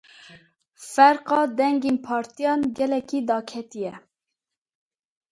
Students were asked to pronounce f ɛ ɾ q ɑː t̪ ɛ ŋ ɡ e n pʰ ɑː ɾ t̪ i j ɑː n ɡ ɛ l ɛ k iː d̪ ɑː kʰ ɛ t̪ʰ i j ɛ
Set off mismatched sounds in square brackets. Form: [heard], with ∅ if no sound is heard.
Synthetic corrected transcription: f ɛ ɾ q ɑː [d̪] ɛ ŋ ɡ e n pʰ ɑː ɾ t̪ i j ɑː n ɡ ɛ l ɛ k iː d̪ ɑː kʰ ɛ [t̪] i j ɛ